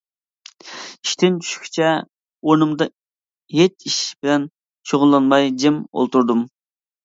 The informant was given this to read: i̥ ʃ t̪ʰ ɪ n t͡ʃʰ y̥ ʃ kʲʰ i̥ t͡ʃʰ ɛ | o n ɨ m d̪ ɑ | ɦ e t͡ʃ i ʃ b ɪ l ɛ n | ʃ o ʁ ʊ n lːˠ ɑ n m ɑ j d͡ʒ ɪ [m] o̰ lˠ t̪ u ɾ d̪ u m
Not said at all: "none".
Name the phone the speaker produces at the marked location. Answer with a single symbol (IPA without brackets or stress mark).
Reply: m